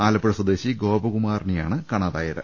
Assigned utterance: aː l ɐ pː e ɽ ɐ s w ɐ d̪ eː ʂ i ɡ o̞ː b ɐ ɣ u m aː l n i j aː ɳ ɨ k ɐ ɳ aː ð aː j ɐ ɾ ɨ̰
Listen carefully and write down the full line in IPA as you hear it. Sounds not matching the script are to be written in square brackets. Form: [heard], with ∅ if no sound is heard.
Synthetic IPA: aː l ɐ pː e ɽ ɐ s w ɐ d̪ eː [ɕ] i ɡ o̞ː b ɐ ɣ u m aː [r] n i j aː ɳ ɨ k ɐ ɳ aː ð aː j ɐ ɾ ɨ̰